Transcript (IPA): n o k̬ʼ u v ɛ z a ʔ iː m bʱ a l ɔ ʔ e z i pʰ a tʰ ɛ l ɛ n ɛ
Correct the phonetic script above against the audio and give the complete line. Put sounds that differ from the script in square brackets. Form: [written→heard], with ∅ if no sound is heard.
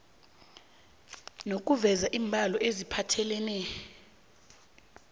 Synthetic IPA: n o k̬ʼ u v ɛ z a ʔ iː m bʱ a l ɔ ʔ e z i pʰ a tʰ ɛ l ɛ n ɛ